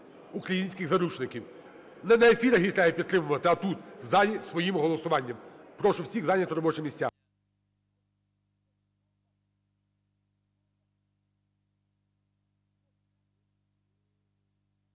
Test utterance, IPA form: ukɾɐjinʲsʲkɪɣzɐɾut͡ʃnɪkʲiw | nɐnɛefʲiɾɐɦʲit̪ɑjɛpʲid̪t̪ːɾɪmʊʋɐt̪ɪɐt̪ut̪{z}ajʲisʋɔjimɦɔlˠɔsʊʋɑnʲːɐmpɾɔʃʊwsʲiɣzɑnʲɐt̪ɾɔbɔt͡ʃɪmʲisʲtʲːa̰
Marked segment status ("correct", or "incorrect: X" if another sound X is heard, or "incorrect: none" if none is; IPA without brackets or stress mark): correct